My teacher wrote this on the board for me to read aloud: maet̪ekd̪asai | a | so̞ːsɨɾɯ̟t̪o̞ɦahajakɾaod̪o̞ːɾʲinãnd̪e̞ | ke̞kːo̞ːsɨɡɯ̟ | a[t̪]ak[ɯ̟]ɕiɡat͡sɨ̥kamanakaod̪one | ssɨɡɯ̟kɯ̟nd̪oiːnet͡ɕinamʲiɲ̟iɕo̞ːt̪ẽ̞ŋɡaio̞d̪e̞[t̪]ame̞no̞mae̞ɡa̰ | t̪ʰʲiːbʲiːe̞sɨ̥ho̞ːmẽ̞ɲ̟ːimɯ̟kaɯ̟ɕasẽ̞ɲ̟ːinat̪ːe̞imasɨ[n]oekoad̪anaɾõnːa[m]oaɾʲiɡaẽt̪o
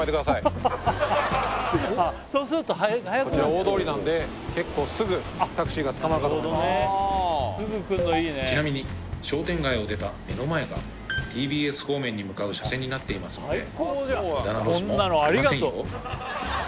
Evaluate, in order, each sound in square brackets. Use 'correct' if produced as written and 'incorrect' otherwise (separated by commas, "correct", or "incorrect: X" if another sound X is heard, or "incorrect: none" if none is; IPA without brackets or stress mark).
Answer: correct, correct, correct, correct, incorrect: n